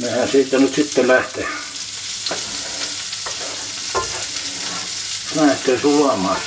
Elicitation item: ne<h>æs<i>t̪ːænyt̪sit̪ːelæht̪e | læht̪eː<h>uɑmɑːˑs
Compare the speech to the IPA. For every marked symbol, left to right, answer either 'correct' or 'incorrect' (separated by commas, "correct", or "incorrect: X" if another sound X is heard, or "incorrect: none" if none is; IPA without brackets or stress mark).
correct, incorrect: iː, incorrect: s